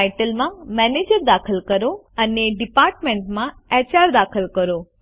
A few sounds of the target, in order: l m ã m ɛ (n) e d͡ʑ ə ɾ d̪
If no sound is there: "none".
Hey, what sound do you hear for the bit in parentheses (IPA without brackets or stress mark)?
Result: n